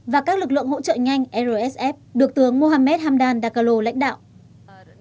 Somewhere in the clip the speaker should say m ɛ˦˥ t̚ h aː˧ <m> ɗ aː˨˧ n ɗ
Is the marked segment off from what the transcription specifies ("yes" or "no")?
no